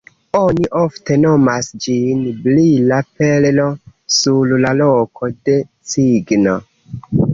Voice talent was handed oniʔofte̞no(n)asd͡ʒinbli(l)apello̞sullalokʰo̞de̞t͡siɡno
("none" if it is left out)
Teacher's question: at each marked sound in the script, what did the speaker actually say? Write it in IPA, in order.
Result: m, l

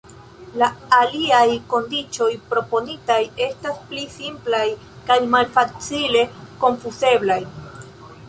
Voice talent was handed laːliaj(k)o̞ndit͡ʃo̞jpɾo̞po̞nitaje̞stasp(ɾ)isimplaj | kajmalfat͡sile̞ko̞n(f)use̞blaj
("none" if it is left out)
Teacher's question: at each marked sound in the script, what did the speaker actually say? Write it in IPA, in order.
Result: k, l, f

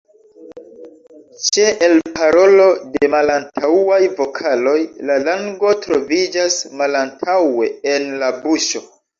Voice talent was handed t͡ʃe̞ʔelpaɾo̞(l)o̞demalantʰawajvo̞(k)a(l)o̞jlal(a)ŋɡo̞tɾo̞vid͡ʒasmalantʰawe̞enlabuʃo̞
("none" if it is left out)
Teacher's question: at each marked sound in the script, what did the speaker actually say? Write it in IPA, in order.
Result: l, kʰ, l, a

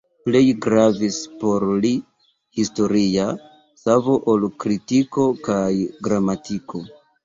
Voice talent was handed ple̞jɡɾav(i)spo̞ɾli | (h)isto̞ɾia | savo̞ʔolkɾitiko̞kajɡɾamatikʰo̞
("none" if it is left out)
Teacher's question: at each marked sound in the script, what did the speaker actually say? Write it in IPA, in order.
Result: i, h

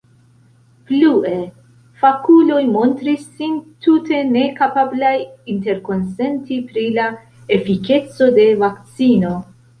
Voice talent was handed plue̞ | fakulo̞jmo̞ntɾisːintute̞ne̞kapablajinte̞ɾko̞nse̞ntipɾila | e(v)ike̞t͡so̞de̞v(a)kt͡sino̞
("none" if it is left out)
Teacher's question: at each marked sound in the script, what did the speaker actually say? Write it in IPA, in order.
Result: f, a

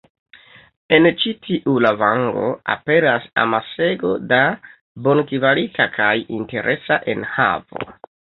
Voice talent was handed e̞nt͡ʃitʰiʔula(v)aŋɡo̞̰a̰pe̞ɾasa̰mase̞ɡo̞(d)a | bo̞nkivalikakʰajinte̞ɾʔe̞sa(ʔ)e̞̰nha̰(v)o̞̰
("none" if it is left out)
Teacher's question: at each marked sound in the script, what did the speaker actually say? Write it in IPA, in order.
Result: v, d, ʔ, v

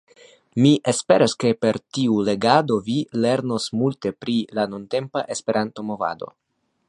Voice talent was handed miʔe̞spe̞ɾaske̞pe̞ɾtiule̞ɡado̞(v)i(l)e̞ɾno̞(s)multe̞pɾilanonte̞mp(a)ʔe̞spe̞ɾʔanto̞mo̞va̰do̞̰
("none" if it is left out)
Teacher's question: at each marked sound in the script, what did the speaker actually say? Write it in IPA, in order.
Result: v, l, s, a

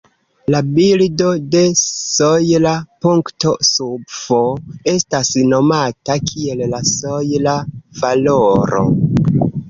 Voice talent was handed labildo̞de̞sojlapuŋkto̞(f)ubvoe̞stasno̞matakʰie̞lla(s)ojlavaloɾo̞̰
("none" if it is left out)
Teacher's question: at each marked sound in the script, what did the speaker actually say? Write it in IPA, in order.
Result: s, s

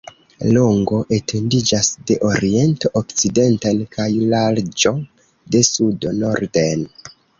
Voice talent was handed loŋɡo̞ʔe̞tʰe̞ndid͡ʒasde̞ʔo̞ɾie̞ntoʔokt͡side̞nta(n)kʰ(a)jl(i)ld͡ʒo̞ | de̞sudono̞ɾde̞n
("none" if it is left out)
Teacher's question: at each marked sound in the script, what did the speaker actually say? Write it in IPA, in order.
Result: n, a, a

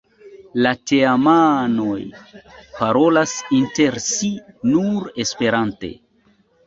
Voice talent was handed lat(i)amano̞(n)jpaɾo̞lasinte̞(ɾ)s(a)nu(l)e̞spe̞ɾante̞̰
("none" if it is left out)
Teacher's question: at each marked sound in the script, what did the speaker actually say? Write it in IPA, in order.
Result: e, none, ɾ, i, ɾ

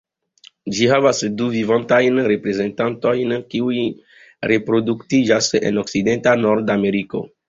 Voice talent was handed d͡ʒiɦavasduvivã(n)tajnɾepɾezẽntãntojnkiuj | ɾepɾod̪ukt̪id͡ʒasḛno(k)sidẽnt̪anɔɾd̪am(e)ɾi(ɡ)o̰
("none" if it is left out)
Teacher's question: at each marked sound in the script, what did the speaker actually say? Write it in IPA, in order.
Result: n, k, e, k

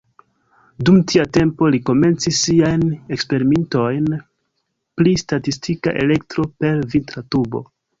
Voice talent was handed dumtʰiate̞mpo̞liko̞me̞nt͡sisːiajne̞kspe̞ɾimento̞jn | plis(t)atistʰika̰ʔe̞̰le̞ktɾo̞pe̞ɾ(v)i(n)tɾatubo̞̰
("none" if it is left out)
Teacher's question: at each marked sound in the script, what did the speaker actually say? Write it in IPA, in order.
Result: t, v, n

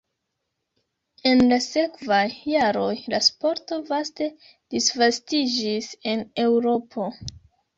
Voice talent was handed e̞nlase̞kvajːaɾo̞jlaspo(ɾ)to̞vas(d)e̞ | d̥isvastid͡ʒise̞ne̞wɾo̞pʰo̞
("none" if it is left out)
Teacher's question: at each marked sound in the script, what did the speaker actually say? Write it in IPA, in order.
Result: ɾ, t

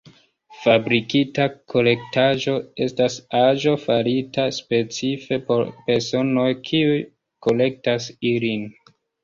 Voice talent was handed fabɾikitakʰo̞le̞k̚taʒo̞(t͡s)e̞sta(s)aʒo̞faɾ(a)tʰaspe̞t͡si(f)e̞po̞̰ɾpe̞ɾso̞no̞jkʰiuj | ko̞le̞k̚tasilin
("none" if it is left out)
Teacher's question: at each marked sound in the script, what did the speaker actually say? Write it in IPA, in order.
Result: none, s, i, f

